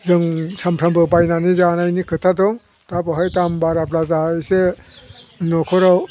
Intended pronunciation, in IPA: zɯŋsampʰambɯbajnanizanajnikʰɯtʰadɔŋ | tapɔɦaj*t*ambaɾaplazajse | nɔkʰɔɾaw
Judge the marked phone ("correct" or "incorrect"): correct